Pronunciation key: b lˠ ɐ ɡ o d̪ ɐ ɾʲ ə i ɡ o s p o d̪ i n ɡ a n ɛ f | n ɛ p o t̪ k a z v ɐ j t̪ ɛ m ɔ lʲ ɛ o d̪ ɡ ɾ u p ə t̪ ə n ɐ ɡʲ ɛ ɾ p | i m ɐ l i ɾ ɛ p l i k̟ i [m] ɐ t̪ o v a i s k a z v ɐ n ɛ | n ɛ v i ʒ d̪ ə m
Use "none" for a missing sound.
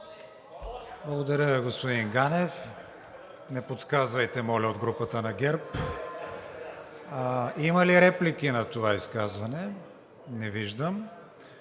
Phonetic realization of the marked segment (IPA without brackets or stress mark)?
n